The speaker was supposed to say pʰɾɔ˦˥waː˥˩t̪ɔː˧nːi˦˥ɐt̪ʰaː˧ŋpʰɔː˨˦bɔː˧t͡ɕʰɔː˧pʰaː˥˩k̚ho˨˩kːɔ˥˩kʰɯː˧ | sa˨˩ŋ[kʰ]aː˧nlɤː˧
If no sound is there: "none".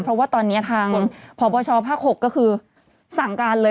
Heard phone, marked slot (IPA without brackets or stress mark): k